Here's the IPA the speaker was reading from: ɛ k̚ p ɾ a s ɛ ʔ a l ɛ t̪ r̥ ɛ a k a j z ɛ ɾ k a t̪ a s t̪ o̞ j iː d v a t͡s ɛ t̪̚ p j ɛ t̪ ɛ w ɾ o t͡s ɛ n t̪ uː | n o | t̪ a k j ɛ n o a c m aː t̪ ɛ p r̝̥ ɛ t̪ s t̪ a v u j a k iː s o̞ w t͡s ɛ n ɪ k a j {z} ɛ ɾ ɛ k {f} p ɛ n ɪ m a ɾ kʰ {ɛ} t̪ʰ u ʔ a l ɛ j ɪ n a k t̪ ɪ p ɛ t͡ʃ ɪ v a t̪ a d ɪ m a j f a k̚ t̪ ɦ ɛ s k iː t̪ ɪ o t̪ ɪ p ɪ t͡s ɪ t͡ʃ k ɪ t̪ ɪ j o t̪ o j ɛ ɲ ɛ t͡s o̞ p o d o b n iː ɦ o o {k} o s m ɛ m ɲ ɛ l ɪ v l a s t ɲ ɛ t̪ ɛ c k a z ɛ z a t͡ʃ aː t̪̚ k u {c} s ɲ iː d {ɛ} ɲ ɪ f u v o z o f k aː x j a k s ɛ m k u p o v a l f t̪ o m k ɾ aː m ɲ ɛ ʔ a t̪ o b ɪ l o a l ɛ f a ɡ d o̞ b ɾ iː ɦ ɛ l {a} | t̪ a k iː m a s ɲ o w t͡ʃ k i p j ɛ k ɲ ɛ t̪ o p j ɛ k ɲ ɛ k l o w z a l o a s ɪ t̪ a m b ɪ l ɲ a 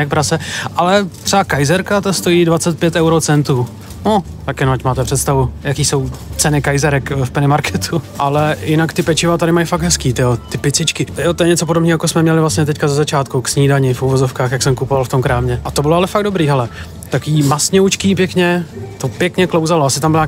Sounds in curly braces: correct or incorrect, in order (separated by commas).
correct, correct, correct, correct, incorrect, incorrect, incorrect